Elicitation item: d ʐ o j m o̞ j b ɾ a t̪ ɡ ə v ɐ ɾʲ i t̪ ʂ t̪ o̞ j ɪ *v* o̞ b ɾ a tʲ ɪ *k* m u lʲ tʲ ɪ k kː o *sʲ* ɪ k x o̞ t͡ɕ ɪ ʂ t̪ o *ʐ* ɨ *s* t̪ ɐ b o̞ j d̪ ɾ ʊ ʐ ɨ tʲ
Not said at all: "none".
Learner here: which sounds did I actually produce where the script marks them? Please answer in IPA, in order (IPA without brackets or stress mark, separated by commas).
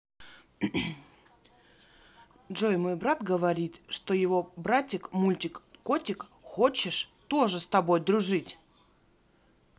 v, k, tʲ, ʐ, s